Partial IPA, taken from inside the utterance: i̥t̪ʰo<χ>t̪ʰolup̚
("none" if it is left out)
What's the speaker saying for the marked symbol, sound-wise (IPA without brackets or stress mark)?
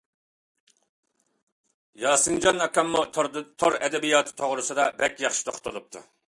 χ